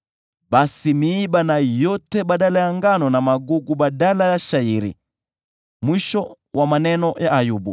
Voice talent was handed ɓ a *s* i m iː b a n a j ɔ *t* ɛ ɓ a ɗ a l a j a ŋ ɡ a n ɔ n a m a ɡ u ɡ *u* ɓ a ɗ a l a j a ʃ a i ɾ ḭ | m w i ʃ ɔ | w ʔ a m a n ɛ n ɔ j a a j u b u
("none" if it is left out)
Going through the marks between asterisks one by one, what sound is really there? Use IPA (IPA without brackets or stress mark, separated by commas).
s, t, u